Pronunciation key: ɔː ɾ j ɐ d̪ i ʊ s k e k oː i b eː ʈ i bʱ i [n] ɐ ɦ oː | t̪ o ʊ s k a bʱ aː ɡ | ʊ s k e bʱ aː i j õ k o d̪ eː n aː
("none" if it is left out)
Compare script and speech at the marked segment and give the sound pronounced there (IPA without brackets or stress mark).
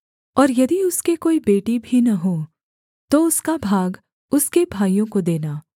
n